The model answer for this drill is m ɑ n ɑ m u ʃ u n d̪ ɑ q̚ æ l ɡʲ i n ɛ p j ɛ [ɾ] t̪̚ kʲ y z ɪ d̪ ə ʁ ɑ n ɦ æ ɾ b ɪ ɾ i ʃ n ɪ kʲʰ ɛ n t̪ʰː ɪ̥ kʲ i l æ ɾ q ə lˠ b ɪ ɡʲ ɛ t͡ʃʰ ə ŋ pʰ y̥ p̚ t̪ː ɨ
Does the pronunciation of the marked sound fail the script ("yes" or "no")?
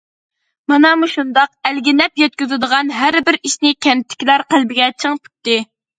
yes